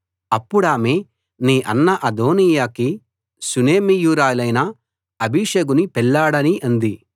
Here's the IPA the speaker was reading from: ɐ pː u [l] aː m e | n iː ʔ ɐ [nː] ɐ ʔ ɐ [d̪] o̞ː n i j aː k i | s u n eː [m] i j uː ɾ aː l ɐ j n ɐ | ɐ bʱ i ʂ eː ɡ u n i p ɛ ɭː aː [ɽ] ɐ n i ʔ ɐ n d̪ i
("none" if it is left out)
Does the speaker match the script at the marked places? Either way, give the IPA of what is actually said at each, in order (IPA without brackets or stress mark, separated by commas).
ɽ, nː, d̪, m, ɽ